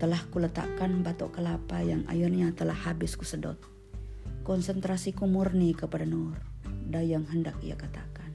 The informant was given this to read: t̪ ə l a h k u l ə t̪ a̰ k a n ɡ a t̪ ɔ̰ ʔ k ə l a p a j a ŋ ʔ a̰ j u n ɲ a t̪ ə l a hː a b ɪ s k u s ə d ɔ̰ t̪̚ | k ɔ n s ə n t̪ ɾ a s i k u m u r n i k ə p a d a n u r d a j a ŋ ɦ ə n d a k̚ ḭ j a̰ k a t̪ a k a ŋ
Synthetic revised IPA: t̪ ə l a h k u l ə t̪ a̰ k a n b a t̪ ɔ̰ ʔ k ə l a p a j a ŋ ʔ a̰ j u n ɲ a t̪ ə l a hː a b ɪ s k u s ə d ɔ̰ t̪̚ | k ɔ n s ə n t̪ ɾ a s i k u m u r n i k ə p a d a n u r d a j a ŋ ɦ ə n d a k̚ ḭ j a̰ k a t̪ a k a n